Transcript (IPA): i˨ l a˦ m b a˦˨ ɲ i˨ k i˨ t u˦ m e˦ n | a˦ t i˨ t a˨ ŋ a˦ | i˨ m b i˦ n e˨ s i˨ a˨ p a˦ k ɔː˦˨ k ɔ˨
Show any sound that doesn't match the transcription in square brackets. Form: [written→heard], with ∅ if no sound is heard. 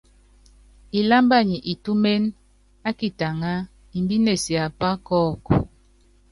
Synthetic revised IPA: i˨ l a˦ m b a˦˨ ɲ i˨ [k→ʔ] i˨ t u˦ m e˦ n | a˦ [t→k] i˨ t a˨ ŋ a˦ | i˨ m b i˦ n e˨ s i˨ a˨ p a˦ k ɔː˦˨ k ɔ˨